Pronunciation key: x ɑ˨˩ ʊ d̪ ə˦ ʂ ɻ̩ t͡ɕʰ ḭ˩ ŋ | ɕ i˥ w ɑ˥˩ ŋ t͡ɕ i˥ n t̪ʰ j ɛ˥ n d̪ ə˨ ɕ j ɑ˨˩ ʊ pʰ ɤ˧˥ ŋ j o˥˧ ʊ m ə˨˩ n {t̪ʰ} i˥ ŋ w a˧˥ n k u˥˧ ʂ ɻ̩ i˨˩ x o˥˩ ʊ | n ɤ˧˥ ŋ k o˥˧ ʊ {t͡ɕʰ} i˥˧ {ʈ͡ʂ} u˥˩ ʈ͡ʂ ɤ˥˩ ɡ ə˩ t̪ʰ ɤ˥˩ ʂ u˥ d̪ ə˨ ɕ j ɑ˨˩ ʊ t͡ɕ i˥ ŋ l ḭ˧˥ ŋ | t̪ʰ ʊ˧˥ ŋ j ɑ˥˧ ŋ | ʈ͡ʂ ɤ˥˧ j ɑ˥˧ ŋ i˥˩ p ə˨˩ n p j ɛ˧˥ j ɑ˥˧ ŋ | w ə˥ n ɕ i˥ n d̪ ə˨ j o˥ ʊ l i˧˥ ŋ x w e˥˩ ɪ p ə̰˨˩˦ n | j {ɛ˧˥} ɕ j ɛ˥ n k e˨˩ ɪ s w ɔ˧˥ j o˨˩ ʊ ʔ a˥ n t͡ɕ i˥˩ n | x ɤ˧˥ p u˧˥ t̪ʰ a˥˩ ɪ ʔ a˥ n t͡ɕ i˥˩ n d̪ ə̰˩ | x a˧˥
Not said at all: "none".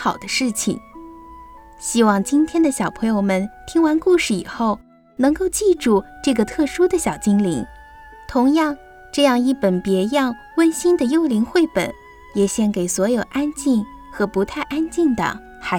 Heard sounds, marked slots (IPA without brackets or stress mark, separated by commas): t̪ʰ, t͡ɕ, ʈ͡ʂ, ɛ˨˩